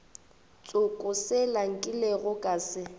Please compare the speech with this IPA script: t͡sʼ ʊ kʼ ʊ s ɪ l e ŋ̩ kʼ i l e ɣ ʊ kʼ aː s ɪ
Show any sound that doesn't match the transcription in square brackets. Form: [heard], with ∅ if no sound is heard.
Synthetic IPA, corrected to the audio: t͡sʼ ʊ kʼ ʊ s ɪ l [a] ŋ̩ kʼ [ɪ] l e ɣ ʊ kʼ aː s ɪ